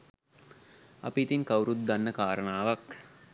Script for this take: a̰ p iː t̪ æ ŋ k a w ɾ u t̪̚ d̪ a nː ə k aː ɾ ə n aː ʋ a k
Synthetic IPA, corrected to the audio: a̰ p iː t̪ i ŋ k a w ɾ u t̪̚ d̪ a nː ə k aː ɾ ə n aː ʋ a k